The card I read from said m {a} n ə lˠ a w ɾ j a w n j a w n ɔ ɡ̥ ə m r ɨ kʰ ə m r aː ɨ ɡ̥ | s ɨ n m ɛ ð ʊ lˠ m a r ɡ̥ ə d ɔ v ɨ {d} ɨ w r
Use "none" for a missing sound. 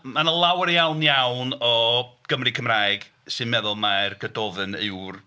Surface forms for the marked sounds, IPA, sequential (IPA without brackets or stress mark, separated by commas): a, n